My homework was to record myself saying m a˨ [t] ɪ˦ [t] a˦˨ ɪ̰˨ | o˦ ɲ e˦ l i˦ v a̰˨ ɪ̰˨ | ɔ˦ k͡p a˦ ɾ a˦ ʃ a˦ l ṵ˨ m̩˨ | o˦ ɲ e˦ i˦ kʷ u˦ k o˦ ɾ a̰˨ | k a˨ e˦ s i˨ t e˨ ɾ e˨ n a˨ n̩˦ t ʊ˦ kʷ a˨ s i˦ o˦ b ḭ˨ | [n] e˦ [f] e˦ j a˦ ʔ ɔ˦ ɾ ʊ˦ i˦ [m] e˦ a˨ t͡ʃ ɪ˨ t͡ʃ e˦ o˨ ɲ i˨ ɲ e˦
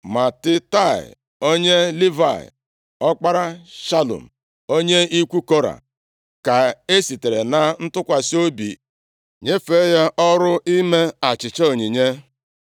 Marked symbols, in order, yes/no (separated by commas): yes, yes, no, yes, yes